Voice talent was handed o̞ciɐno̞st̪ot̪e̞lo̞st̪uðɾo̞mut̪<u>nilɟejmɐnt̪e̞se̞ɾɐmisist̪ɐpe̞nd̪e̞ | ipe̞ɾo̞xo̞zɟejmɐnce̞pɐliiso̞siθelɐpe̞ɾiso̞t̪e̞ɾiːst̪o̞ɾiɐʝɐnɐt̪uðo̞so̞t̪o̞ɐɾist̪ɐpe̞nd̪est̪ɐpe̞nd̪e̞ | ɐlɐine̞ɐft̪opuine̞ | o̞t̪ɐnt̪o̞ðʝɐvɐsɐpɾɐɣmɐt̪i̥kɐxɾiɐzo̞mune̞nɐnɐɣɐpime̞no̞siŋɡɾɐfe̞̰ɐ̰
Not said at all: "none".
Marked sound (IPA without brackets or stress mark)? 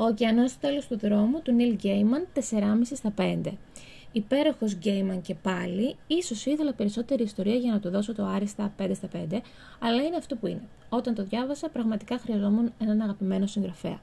u